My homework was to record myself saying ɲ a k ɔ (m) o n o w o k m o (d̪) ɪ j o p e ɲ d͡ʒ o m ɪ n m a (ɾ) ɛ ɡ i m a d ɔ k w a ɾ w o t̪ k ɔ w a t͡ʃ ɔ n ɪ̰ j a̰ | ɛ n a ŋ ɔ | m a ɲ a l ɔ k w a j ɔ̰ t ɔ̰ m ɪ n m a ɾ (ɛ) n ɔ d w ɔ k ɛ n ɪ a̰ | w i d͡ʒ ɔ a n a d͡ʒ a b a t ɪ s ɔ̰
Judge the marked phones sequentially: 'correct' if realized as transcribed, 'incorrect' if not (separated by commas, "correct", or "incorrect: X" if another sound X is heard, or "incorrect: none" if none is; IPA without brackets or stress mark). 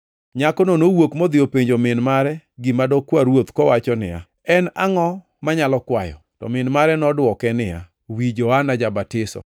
incorrect: n, correct, correct, correct